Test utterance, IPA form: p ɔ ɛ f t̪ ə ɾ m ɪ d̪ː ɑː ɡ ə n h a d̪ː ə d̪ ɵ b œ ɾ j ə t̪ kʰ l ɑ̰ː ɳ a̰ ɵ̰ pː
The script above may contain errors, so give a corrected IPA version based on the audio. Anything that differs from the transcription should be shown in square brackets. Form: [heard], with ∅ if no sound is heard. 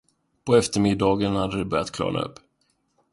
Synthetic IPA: p ɔ ɛ f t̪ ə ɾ m ɪ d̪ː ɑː ɡ ə n h a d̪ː ə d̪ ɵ b œ ɾ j [a] t̪ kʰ l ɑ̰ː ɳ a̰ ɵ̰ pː